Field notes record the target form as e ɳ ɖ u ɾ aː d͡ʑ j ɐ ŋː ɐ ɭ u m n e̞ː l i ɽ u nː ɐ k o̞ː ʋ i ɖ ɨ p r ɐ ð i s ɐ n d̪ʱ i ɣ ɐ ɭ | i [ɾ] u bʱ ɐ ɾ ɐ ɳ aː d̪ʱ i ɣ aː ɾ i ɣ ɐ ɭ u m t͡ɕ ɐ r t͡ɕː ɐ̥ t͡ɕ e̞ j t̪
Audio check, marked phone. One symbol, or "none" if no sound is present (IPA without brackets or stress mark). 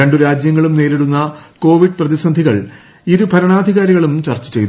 ɾ